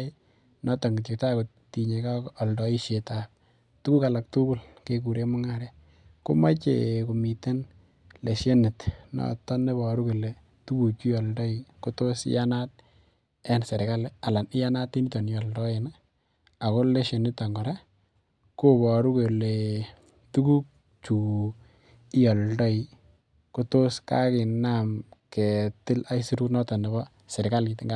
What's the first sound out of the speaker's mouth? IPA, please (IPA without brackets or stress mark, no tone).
n